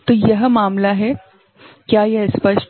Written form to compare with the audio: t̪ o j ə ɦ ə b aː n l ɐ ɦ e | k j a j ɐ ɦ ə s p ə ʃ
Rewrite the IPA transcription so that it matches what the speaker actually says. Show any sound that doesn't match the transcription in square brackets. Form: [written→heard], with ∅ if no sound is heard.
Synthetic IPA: t̪ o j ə ɦ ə [b→m] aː [n→m] l [ɐ→a] ɦ e | k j a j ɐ ɦ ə s p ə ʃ

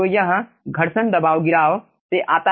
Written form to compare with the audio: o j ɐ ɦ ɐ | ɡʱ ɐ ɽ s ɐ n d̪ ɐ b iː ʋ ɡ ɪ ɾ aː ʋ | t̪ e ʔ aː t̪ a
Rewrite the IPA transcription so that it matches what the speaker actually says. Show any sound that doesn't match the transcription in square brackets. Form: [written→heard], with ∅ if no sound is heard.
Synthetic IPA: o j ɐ ɦ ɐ | ɡʱ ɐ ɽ s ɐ n d̪ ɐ b [iː→aː] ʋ ɡ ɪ ɾ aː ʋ | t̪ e ʔ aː t̪ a

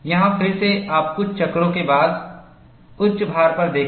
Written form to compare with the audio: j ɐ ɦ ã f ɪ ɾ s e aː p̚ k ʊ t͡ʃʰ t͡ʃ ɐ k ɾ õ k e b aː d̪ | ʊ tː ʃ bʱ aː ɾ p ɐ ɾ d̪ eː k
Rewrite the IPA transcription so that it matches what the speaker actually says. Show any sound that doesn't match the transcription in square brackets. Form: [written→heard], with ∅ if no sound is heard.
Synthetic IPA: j ɐ ɦ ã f ɪ ɾ s e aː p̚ k ʊ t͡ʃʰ t͡ʃ ɐ k ɾ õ k e b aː d̪ | ʊ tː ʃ bʱ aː ɾ p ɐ ɾ d̪ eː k

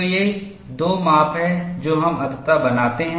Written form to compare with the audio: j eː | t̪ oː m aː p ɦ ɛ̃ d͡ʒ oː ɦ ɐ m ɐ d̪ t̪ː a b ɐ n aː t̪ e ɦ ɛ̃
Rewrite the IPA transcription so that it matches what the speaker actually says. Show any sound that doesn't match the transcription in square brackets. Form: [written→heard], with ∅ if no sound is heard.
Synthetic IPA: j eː | [t̪→d̪] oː m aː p ɦ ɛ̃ d͡ʒ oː ɦ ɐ m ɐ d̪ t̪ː a b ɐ n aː t̪ e ɦ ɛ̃

